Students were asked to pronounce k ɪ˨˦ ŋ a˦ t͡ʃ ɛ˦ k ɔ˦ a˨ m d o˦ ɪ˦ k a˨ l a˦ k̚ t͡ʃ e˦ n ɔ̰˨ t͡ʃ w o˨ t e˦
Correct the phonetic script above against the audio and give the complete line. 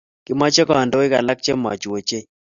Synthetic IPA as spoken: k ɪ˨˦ m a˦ t͡ʃ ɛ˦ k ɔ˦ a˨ n d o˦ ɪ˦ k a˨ l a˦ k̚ t͡ʃ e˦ m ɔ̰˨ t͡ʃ w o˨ t͡ʃ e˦